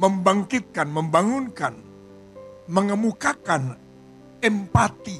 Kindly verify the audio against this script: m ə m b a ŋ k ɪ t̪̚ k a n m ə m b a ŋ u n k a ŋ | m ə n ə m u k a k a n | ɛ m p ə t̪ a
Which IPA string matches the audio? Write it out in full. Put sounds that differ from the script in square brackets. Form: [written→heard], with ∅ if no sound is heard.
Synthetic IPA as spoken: m ə m b a ŋ k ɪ t̪̚ k a n m ə m b a ŋ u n k a [ŋ→n] | m ə [n→ŋ] ə m u k a k a n | ɛ m p [ə→a] t̪ [a→i]